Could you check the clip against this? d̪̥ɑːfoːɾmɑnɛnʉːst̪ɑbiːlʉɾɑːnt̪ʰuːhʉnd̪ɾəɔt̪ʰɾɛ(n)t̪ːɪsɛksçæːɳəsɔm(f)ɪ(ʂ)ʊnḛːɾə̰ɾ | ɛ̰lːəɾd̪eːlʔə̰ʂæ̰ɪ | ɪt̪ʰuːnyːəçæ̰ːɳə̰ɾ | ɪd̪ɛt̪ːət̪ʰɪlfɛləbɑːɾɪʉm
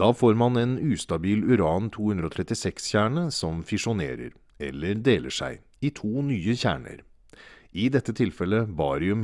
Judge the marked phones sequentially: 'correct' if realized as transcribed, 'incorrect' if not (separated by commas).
incorrect, correct, correct